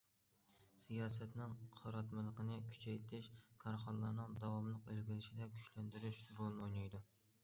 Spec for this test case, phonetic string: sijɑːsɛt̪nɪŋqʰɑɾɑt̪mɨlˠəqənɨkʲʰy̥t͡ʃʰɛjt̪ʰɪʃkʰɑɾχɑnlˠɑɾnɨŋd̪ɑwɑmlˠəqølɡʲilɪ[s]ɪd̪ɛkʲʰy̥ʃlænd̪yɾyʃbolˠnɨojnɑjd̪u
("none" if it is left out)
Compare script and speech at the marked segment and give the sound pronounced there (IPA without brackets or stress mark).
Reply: ʃ